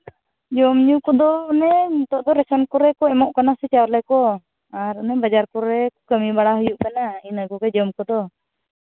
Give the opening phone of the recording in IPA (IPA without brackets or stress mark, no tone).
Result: d͡ʒ